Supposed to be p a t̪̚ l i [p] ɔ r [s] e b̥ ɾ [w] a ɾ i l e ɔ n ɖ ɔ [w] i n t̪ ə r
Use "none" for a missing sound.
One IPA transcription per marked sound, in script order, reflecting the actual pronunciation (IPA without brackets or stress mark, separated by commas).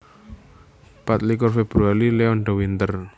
k, f, u, w